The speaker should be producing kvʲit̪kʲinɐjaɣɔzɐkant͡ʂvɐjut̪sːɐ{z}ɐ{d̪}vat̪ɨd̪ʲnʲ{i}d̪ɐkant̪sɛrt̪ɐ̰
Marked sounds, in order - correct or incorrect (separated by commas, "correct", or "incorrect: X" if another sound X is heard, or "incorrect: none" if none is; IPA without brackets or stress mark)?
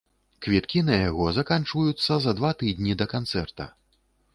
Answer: correct, correct, correct